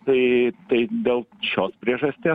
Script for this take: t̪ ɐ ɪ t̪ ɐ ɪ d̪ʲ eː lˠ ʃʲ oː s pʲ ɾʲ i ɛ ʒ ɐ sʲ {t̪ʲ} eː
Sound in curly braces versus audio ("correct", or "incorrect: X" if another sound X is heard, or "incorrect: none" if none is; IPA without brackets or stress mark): correct